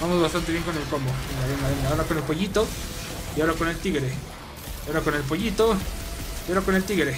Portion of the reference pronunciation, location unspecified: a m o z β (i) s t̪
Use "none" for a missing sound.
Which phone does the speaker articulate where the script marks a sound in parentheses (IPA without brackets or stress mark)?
a